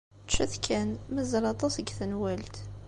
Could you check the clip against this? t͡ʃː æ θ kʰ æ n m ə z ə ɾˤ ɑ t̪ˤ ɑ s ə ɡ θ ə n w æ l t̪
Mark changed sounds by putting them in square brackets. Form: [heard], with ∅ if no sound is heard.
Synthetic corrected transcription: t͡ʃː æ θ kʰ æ n m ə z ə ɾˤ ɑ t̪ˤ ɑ s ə ɡ θ ə n w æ l t̪